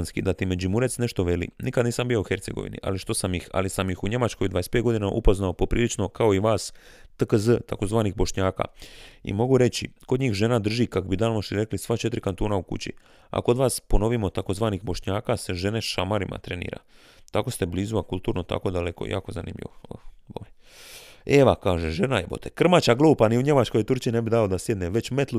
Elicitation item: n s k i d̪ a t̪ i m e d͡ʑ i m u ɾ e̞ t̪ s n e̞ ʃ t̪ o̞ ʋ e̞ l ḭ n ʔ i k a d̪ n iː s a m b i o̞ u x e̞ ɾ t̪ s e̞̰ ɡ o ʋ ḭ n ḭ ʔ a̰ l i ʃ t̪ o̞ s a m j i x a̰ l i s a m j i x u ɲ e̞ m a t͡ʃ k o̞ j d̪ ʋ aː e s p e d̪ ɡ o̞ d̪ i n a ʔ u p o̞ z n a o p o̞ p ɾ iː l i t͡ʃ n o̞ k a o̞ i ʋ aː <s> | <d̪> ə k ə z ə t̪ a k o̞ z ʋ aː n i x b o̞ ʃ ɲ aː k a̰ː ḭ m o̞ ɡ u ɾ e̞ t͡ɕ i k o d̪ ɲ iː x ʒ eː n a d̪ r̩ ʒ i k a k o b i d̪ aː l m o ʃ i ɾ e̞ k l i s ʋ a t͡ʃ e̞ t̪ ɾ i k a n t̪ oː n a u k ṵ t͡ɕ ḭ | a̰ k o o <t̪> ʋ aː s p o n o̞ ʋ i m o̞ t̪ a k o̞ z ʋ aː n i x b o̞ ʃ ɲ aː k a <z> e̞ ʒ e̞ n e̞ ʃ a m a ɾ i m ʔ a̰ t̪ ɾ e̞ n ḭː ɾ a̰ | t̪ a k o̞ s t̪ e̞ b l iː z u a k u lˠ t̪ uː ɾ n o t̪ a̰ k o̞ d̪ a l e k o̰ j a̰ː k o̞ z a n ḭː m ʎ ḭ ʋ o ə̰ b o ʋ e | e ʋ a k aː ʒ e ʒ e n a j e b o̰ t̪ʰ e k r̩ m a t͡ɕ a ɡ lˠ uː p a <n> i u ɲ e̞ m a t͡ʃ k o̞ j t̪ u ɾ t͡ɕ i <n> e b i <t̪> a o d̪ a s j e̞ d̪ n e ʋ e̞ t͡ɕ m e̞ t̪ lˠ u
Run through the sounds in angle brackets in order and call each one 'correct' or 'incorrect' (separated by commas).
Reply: correct, incorrect, incorrect, incorrect, correct, correct, incorrect